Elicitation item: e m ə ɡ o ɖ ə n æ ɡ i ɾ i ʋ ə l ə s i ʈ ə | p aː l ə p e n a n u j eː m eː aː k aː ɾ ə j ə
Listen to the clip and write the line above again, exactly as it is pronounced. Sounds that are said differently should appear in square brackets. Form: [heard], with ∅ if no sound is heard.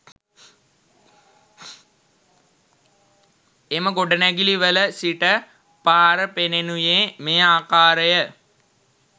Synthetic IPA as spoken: e m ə ɡ o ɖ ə n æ ɡ i [l] i ʋ ə l ə s i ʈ ə | p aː [ɾ] ə p e n [e] n u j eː m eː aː k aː ɾ ə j ə